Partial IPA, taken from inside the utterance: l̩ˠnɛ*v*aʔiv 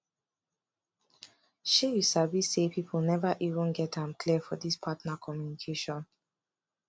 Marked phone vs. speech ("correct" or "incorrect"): correct